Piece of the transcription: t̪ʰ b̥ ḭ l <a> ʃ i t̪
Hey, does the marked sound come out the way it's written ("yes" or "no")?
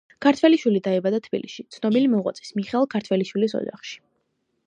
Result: no